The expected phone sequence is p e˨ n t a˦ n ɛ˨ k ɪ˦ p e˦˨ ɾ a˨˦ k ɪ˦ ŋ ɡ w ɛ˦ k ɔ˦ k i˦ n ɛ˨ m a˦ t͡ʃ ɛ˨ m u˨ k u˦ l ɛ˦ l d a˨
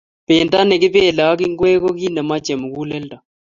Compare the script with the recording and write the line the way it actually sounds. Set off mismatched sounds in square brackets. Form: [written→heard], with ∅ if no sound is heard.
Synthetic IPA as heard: p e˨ n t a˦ n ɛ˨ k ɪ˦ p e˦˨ [ɾ→l] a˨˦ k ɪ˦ ŋ ɡ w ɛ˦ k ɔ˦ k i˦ n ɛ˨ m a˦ t͡ʃ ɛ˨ m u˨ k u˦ l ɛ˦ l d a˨